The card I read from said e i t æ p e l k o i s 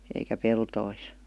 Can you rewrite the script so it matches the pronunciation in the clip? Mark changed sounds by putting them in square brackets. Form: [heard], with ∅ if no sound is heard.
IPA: e i [k] æ p e l [t] o i s